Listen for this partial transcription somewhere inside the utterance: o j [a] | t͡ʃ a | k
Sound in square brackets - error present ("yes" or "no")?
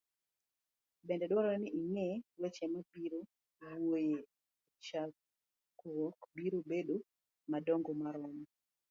yes